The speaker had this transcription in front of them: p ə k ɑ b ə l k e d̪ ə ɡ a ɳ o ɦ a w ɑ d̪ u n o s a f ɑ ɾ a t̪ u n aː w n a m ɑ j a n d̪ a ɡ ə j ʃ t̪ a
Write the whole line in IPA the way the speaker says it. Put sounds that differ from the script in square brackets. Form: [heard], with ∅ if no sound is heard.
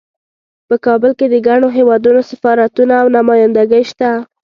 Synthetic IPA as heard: p ə k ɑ b ə l k e d̪ ə ɡ a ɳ o ɦ [e] w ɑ d̪ u n o s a f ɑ ɾ a t̪ u n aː w n a m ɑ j a n d̪ a ɡ ə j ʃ t̪ a